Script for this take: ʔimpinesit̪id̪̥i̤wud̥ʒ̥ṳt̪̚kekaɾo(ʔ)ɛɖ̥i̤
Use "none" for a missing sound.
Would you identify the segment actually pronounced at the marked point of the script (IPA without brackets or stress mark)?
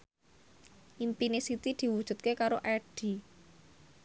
ʔ